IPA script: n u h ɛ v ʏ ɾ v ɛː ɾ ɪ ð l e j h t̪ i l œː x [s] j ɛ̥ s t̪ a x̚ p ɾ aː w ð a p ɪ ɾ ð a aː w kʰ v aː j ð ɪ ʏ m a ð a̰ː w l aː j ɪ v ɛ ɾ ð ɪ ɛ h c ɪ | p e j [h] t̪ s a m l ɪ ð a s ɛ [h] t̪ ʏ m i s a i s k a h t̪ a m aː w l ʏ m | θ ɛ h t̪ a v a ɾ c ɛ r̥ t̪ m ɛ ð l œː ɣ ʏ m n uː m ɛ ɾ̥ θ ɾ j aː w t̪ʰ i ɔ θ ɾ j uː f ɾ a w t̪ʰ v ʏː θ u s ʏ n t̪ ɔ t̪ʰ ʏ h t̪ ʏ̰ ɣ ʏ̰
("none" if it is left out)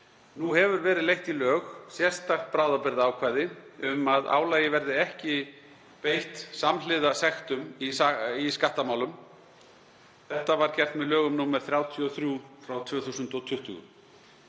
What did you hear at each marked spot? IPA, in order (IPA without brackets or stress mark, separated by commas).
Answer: s, h, x